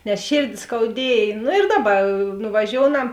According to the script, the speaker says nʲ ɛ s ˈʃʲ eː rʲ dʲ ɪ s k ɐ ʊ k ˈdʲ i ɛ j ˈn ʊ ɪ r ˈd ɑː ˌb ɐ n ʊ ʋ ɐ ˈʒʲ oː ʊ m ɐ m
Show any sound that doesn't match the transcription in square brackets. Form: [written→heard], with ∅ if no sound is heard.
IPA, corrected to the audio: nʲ ɛ s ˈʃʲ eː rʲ dʲ ɪ s k ɐ ʊ [k→∅] ˈdʲ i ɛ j ˈn ʊ ɪ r ˈd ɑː ˌb ɐ n ʊ ʋ ɐ ˈʒʲ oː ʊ [m→n] ɐ m